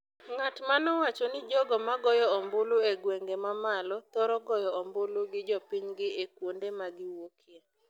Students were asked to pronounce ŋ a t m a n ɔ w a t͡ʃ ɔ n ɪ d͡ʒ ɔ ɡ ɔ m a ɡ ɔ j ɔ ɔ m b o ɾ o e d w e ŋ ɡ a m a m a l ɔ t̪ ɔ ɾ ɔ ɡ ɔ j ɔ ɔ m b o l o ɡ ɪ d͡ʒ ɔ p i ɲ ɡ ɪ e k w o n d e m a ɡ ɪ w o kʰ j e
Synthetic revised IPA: ŋ a t m a n ɔ w a t͡ʃ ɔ n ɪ d͡ʒ ɔ ɡ ɔ m a ɡ ɔ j ɔ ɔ m b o l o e ɡ w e ŋ ɡ e m a m a l ɔ t̪ ɔ ɾ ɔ ɡ ɔ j ɔ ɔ m b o l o ɡ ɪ d͡ʒ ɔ p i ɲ ɡ ɪ e k w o n d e m a ɡ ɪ w o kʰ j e